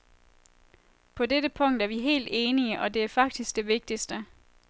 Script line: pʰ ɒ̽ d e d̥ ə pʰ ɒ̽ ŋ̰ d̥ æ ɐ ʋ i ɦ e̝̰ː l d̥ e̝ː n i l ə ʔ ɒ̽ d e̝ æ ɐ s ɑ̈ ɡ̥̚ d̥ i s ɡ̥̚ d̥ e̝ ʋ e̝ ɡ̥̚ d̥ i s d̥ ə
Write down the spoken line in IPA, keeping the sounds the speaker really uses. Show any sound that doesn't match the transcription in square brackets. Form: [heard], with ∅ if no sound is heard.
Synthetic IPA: pʰ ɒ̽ d e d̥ ə pʰ [ɔ̽] ŋ̰ d̥ æ ɐ ʋ i ɦ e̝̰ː l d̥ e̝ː n i [∅] ə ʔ ɒ̽ d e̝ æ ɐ [f] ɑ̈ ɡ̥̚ d̥ i s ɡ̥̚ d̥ e̝ ʋ e̝ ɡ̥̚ d̥ i s d̥ ə